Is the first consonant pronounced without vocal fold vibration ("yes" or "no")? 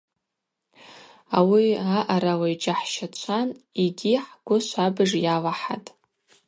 no